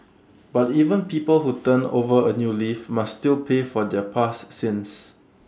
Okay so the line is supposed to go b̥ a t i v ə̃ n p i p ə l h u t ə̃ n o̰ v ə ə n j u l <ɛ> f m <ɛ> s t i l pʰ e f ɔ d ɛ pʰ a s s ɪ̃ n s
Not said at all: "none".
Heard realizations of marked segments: i, a

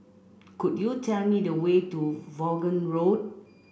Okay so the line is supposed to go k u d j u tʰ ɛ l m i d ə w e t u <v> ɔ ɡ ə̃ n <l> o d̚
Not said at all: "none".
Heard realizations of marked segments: v, ɹ

